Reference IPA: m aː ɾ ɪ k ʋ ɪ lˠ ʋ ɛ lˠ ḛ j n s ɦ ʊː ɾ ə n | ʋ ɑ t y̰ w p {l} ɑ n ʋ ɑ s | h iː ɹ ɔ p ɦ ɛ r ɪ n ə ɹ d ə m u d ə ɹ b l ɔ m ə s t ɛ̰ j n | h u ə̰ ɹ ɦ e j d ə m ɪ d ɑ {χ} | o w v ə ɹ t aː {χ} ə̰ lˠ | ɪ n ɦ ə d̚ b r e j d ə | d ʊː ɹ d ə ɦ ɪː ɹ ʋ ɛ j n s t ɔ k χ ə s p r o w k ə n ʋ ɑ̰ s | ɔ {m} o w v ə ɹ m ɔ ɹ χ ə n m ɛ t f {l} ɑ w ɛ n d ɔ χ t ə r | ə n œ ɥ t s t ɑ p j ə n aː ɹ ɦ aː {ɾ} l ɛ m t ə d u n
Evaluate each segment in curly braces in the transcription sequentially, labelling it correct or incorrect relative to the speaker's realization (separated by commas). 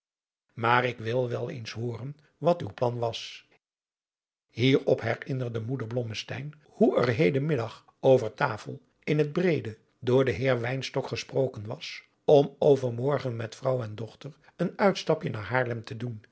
correct, correct, incorrect, correct, incorrect, incorrect